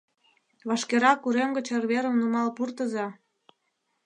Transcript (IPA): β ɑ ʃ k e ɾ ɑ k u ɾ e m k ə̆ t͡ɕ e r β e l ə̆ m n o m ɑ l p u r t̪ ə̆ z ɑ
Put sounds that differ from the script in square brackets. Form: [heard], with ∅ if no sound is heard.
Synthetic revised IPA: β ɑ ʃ k e ɾ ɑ k u ɾ e m [ɡ] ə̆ t͡ɕ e r β e [ɾ] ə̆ m n [u] m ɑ l p u r t̪ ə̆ z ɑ